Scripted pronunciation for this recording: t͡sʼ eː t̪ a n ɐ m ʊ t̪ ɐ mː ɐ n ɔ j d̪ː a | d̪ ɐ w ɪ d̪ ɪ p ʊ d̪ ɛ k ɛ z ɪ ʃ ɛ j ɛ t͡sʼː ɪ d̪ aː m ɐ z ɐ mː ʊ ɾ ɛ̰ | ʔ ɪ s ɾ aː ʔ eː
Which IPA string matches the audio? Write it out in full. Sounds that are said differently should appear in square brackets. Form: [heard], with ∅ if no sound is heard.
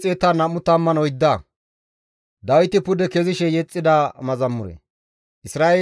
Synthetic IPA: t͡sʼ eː t̪ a n ɐ m ʊ t̪ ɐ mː ɐ n ɔ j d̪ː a | d̪ ɐ w ɪ [t̪] ɪ p ʊ d̪ ɛ k ɛ z ɪ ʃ ɛ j ɛ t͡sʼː ɪ d̪ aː m ɐ z ɐ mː ʊ ɾ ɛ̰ | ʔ ɪ s ɾ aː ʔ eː